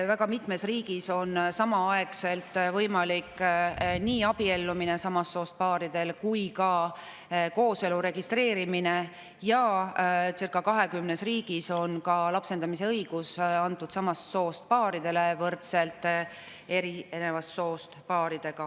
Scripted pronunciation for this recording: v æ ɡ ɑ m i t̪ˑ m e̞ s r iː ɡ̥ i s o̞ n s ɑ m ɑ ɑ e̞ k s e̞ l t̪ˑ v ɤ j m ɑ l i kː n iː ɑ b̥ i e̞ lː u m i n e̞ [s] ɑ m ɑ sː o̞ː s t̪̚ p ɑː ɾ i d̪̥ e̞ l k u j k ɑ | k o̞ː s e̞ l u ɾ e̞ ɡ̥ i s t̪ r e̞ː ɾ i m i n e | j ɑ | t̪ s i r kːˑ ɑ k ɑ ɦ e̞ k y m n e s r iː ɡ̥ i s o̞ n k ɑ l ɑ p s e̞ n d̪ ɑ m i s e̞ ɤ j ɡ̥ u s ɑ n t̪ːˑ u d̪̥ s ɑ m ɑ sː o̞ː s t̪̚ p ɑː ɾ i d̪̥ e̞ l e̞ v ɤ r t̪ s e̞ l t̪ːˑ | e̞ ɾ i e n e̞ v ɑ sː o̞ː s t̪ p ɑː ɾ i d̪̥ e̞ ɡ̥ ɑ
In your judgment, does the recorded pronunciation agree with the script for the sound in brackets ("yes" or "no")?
yes